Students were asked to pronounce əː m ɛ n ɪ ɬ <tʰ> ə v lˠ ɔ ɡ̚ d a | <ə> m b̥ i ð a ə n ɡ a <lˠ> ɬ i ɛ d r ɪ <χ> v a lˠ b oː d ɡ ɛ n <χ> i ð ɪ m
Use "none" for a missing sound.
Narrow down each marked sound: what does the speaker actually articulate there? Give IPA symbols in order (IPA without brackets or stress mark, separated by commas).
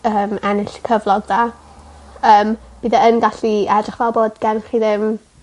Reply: kʰ, əː, none, χ, χ